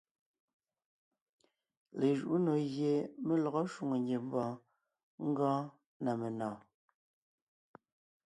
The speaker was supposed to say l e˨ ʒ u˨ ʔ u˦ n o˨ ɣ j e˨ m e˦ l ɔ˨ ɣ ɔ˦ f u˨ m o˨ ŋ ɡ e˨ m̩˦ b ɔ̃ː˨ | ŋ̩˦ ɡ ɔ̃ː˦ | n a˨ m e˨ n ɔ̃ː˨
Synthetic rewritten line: l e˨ ʒ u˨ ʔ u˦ n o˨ ɣ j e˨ m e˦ l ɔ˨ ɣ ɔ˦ ʃ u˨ ŋ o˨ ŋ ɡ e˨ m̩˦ b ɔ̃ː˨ | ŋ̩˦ ɡ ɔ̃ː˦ | n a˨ m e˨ n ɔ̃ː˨